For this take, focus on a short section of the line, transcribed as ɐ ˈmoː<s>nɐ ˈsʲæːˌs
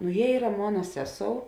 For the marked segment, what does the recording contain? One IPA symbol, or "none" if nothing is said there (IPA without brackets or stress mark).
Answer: none